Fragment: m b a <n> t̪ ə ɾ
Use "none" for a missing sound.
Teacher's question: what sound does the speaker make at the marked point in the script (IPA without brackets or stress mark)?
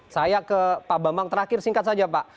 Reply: ŋ